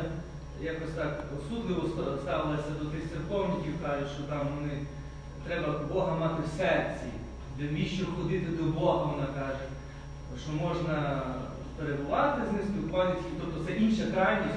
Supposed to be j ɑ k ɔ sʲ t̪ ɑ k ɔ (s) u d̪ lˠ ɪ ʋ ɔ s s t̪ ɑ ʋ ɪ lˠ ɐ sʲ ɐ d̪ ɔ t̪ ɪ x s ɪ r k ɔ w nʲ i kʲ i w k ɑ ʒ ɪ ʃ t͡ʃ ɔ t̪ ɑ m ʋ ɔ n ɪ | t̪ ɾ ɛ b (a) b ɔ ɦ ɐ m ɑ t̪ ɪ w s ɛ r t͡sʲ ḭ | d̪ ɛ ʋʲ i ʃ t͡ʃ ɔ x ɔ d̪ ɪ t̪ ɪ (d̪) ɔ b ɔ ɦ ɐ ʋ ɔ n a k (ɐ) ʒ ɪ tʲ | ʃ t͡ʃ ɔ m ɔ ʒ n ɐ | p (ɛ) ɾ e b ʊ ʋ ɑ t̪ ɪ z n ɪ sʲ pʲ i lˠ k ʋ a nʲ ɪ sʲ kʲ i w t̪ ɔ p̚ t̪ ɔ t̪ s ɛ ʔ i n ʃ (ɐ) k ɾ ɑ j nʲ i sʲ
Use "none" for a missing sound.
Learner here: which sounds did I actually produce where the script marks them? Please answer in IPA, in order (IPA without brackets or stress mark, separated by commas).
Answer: s, ɐ, d̪, ɑ, e, ɐ